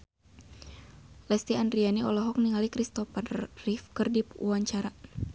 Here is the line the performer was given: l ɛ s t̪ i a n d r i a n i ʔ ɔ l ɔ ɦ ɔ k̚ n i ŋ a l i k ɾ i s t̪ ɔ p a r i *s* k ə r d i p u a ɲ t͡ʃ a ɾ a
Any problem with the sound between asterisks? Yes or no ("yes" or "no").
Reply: yes